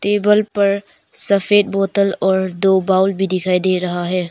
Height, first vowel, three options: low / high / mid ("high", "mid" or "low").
mid